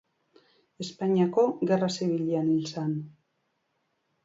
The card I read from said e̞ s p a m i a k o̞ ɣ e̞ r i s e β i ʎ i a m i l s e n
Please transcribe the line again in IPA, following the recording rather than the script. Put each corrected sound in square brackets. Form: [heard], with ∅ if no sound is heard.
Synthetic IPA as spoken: e̞ s p a [ɲ] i a k o̞ ɣ e̞ r [a] s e β i ʎ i a [n] i l s [a] n